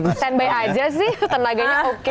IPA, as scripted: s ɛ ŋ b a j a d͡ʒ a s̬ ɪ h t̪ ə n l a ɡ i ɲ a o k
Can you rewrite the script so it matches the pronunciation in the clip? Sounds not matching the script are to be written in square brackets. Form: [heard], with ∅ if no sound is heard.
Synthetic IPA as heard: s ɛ [n] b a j a d͡ʒ a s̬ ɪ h t̪ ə n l a ɡ [a] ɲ a o k